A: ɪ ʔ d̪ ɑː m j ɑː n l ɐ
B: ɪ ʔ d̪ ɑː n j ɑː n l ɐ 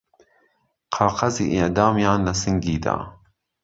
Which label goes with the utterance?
A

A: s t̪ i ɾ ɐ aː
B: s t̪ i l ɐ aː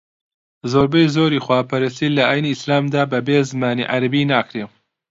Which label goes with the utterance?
B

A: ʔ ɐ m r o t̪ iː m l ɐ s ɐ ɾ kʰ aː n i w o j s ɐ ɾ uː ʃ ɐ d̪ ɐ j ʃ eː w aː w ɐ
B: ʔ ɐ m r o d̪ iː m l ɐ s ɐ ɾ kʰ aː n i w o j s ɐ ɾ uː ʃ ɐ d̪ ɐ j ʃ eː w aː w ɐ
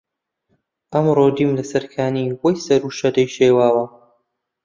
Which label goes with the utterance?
B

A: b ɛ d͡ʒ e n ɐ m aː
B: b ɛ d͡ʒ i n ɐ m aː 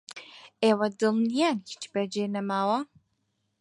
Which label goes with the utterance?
A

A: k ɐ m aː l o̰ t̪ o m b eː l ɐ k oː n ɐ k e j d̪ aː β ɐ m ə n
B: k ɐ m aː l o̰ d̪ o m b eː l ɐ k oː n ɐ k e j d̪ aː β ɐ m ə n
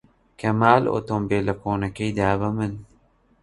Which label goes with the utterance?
A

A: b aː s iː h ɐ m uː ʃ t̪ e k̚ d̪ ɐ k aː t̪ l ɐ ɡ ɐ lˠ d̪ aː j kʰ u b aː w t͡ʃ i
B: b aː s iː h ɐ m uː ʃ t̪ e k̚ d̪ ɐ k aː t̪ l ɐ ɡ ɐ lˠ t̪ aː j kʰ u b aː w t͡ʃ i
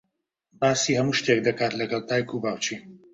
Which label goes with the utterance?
B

